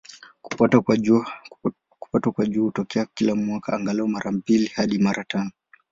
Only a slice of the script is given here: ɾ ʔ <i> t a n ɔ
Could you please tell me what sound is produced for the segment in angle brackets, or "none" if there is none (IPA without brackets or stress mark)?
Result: a